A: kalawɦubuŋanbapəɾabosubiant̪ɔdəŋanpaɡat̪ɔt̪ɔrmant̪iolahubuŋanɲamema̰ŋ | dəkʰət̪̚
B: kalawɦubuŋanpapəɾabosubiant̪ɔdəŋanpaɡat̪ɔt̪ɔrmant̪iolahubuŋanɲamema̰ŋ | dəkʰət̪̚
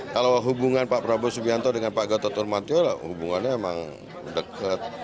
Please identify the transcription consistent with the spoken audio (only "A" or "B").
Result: B